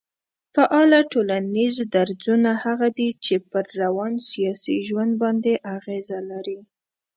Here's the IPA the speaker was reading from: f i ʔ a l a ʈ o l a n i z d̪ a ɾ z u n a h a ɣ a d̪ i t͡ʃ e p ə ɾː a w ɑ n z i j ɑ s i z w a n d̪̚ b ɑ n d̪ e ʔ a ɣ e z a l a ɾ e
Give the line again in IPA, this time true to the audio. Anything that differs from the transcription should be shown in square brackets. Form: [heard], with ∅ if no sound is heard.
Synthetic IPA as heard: f [a] ʔ [ɑ] l a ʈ o l a n i z d̪ a ɾ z u n a h a ɣ a d̪ i t͡ʃ e p ə ɾː a w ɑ n [s] i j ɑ s i [ʒ] w a n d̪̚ b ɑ n d̪ e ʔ a ɣ e z a l a ɾ [i]

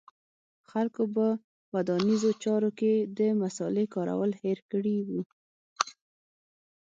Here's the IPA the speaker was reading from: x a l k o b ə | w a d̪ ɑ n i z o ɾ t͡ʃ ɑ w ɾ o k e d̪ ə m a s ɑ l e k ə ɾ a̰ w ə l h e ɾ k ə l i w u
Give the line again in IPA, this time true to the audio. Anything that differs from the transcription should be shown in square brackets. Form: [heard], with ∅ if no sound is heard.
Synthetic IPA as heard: x a l k o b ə | w a d̪ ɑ n i z o [∅] t͡ʃ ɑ [∅] ɾ o k e d̪ ə m a s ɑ l e k [ɑ] ɾ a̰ w ə l h e ɾ k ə [ɽ] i w u

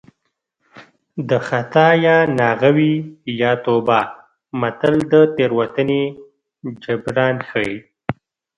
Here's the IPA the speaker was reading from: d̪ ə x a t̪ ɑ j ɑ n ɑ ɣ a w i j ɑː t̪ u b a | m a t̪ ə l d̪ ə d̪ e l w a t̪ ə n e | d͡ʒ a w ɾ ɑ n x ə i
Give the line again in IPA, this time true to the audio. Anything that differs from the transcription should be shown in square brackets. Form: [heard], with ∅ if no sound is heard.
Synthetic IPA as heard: d̪ ə x a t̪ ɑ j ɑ n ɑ ɣ a w i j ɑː t̪ [o] b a | m a t̪ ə l d̪ ə [t̪] e [ɾ] w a t̪ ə n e | d͡ʒ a [b] ɾ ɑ n x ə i

